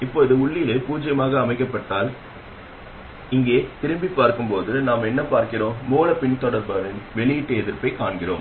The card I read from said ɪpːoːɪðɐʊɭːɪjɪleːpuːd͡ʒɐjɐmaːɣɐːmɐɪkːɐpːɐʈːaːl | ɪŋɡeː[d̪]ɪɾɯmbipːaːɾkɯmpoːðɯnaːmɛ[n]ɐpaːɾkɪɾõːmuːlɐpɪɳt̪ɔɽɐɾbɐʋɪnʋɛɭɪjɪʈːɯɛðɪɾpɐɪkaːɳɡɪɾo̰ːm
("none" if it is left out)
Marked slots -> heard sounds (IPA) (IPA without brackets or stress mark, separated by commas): t̪, nː